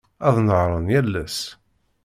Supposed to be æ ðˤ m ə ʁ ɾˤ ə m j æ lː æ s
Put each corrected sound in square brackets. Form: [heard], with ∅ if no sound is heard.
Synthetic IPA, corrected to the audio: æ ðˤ [n] ə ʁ ɾˤ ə [n] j æ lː æ s